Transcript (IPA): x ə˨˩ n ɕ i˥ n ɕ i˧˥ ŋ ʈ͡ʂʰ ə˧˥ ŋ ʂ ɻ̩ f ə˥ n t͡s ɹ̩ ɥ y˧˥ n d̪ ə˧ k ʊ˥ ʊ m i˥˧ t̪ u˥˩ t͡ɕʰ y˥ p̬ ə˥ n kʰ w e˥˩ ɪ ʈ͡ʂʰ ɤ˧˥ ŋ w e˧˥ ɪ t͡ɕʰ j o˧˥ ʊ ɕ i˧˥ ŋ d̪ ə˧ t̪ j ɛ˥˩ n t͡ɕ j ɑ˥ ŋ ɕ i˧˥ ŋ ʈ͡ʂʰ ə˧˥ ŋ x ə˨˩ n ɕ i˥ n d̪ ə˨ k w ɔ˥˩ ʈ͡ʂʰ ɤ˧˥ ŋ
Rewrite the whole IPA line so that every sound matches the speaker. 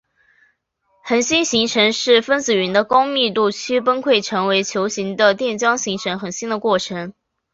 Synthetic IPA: x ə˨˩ n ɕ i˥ n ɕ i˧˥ ŋ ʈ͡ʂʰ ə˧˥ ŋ ʂ ɻ̩ f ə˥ n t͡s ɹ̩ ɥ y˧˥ n d̪ ə˧ k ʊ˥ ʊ m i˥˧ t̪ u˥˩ t͡ɕʰ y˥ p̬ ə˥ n kʰ w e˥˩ ɪ ʈ͡ʂʰ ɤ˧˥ ŋ w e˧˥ ɪ t͡ɕʰ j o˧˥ ʊ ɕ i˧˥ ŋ d̪ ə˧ t̪ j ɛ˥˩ n t͡ɕ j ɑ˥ ŋ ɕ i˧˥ ŋ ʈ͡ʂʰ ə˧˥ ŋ x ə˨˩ n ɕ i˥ n d̪ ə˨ k w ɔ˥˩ ʈ͡ʂʰ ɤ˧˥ ŋ